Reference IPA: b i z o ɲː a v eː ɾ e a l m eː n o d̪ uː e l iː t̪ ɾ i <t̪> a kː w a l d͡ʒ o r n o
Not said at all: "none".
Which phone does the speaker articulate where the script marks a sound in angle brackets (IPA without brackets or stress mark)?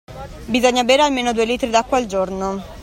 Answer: d̪